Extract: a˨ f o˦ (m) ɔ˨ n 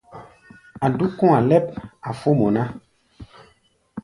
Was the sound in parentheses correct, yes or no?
yes